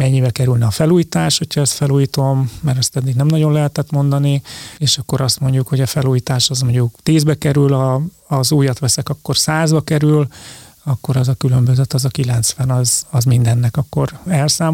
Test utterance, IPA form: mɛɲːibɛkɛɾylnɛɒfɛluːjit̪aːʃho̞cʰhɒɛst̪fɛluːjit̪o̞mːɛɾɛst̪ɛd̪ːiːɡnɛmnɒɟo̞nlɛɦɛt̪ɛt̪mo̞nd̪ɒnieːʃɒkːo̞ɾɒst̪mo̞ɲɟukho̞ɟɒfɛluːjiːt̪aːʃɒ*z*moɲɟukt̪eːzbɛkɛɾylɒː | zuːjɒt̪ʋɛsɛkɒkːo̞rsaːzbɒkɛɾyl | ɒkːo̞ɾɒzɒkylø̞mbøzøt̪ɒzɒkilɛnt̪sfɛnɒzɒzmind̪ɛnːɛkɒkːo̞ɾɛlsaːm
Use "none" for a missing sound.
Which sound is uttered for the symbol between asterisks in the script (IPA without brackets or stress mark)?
z